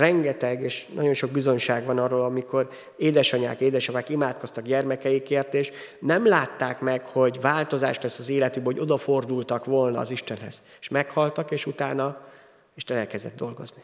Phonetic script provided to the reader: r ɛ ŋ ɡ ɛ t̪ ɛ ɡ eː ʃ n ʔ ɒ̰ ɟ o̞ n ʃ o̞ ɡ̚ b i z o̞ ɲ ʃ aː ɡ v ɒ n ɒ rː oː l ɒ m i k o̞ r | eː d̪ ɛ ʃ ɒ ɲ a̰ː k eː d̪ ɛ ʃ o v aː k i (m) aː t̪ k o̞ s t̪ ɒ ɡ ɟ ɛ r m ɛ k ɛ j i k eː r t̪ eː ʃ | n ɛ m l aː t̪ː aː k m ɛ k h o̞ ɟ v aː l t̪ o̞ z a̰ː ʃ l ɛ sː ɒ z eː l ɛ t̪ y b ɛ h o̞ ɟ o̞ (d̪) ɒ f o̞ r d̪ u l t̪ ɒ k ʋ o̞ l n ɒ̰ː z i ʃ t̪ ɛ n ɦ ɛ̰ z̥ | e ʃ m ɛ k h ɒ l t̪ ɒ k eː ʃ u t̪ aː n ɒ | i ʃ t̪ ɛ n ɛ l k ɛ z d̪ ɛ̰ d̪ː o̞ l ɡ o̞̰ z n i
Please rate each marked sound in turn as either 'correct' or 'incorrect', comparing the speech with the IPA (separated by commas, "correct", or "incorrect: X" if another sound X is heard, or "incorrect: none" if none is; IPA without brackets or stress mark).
correct, correct